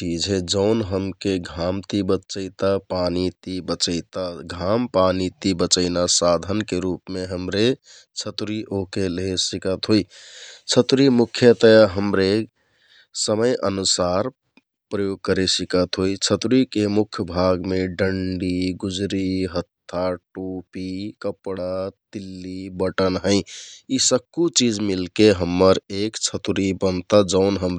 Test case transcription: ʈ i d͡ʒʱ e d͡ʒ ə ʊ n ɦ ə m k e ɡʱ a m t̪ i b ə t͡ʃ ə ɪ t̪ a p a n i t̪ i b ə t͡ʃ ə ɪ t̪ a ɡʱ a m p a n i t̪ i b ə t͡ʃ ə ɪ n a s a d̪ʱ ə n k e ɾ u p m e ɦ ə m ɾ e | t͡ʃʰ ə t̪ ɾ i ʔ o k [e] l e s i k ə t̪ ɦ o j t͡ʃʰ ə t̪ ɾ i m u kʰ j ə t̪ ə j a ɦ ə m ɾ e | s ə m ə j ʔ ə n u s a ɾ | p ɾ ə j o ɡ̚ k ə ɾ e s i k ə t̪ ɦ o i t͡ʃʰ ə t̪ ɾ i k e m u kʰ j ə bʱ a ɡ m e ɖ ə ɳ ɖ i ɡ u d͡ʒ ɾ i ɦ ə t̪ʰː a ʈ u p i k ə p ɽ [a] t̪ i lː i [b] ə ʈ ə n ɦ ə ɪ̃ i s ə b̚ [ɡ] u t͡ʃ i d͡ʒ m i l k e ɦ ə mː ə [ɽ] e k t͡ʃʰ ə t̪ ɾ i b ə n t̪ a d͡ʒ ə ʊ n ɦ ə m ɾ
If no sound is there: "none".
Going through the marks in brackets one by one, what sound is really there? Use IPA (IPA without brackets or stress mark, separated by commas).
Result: e, a, b, k, ɾ